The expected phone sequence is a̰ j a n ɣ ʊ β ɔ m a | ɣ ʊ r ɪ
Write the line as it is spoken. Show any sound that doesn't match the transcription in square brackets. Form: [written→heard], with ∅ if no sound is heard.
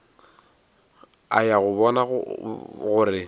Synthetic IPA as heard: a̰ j a [n→∅] ɣ ʊ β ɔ [m→n] a | ɣ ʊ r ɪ